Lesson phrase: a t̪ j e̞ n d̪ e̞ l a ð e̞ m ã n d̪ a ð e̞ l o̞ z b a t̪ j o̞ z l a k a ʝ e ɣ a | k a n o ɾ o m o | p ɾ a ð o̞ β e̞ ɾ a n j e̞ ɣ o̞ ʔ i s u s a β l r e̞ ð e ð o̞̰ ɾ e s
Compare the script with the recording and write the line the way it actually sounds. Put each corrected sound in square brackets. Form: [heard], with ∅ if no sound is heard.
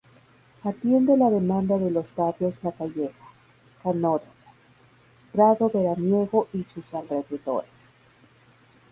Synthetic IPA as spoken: a t̪ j e̞ n d̪ e̞ l a ð e̞ m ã n d̪ a ð e̞ l o̞ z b a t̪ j o̞ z l a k a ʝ e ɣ a | k a n o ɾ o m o | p ɾ a ð o̞ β e̞ ɾ a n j e̞ ɣ o̞ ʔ i s u s a [∅] l r e̞ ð e ð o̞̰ ɾ e s